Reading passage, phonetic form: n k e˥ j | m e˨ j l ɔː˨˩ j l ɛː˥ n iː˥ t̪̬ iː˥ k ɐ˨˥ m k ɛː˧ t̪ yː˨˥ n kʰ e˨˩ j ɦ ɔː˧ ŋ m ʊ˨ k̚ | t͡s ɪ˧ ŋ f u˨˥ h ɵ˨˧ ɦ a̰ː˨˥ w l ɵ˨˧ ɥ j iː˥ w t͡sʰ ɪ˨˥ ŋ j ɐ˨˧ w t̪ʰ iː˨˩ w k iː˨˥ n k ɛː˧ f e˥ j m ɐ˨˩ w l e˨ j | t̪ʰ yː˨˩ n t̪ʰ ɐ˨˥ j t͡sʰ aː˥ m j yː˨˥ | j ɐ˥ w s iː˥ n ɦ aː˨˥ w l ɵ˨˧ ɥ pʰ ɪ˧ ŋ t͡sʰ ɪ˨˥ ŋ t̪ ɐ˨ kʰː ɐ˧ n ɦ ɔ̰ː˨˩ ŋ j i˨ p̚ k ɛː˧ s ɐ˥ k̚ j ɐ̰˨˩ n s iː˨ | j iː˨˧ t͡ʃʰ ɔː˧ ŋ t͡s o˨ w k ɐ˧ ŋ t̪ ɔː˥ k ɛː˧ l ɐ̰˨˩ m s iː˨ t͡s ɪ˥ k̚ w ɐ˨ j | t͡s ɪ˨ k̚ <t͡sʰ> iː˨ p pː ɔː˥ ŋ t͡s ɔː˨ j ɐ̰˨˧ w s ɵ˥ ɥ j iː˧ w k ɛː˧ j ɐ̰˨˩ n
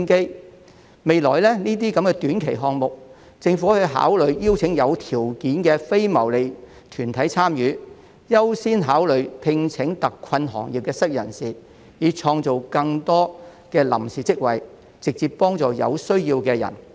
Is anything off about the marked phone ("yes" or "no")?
yes